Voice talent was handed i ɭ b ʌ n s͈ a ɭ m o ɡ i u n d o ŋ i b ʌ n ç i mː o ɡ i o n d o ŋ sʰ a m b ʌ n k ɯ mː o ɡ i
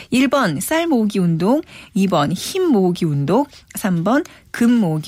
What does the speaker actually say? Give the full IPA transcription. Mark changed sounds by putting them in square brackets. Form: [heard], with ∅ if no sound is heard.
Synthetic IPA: i ɭ b ʌ n s͈ a ɭ m o ɡ i u n d o ŋ i b ʌ n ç i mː o ɡ i [u] n d o ŋ sʰ a m b ʌ n k ɯ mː o ɡ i